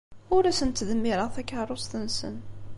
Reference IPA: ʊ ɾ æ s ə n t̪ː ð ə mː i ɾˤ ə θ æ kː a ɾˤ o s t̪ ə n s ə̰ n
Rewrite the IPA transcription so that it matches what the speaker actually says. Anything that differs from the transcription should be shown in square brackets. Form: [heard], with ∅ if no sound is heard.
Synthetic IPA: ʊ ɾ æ s ə n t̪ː ð ə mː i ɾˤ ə θ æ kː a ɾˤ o s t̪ ə n s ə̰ n